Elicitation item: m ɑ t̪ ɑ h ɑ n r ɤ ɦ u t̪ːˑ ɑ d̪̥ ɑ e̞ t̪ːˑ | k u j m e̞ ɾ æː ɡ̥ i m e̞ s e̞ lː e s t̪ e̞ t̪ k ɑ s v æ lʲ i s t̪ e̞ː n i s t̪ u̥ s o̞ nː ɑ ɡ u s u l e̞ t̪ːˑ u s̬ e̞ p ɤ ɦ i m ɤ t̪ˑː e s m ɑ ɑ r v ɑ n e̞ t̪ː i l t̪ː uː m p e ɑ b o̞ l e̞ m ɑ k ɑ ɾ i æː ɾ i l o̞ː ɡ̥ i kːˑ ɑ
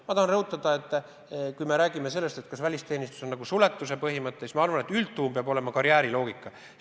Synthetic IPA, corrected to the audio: m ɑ t̪ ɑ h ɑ n r ɤ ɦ u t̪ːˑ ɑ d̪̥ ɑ e̞ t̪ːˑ | k u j m e̞ ɾ æː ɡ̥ i m e̞ s e̞ lː e s t̪ e̞ t̪ k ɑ s v æ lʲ i s t̪ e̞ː n i s t̪ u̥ s o̞ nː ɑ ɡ u s u l e̞ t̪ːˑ u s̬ e̞ p ɤ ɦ i m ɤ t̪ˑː e s m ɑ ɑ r v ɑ n e̞ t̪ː y l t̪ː uː m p e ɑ b o̞ l e̞ m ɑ k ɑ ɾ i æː ɾ i l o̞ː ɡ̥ i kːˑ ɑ